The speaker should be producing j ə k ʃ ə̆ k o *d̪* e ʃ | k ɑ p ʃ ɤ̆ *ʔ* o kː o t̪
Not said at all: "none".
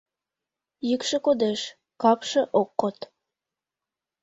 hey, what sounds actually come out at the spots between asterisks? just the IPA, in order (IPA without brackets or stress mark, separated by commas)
d̪, ʔ